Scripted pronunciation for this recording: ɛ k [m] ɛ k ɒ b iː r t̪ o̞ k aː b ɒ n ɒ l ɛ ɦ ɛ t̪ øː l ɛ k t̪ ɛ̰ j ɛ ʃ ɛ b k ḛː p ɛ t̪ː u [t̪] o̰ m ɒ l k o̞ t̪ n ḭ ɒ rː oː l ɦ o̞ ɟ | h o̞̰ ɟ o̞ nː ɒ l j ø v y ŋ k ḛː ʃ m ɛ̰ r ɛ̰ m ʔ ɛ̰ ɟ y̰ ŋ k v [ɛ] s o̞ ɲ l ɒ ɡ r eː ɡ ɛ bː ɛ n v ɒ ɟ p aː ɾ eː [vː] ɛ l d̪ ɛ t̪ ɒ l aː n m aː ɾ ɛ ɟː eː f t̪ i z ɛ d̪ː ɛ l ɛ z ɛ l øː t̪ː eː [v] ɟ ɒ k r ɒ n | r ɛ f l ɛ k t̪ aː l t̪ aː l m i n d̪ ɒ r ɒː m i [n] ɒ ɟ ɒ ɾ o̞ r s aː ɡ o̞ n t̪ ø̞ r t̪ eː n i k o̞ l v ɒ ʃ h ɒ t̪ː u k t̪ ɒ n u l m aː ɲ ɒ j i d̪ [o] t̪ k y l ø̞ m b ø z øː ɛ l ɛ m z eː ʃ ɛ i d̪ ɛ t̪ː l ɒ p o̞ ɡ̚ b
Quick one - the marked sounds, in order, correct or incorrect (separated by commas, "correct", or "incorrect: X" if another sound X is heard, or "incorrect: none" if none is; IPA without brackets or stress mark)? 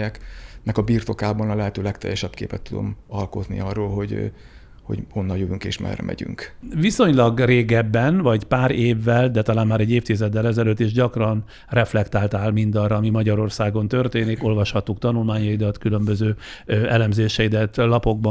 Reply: incorrect: n, incorrect: d̪, incorrect: i, correct, incorrect: ʒ, incorrect: m, incorrect: ɒ